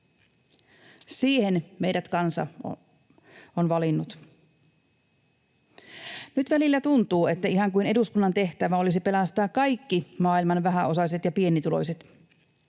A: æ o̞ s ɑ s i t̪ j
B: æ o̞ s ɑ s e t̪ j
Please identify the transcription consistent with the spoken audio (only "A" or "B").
B